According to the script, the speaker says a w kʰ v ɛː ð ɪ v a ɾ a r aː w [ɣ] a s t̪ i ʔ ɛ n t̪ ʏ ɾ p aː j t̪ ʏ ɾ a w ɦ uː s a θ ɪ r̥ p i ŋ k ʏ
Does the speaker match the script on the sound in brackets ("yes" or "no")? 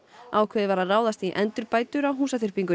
no